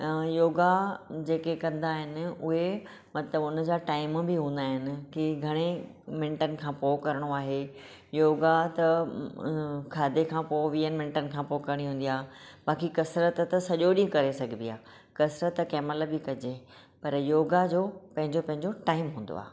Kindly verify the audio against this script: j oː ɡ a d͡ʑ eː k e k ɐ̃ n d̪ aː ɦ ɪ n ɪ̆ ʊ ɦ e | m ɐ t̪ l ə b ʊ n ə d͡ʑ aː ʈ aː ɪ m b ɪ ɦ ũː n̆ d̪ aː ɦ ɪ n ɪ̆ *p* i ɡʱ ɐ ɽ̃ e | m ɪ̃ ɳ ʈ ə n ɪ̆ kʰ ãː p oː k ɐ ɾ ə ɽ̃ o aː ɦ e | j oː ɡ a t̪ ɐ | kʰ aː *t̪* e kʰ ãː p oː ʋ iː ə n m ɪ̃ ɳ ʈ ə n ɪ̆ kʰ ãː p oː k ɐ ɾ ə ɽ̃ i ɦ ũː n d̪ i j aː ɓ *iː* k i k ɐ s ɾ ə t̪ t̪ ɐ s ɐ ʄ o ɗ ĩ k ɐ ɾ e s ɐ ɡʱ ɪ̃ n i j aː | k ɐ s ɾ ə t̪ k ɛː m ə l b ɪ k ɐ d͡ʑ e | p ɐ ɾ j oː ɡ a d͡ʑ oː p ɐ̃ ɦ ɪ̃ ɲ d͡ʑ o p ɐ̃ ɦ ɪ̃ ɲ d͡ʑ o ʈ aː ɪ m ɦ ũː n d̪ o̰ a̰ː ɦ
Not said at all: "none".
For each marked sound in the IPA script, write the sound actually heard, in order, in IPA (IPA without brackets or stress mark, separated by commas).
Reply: k, d̪, aː